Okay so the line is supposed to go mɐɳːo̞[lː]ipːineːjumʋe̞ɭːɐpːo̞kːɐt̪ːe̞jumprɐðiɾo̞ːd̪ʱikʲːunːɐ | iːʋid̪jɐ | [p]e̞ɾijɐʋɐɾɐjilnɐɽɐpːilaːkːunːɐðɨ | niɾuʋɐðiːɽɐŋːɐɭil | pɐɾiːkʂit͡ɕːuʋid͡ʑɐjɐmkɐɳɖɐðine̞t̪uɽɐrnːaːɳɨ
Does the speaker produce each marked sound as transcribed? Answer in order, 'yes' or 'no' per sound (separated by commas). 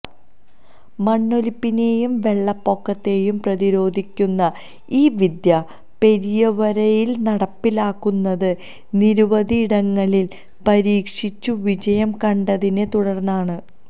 no, yes